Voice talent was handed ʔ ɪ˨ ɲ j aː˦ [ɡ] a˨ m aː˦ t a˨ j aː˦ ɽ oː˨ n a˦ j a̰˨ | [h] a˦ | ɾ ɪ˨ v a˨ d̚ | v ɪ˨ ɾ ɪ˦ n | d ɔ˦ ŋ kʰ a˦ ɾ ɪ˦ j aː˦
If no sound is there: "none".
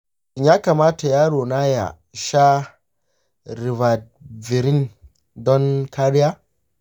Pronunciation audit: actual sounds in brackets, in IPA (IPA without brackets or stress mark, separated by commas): k, ʃ